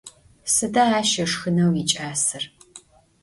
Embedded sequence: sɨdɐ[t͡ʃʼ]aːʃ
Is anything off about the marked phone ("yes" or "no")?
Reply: yes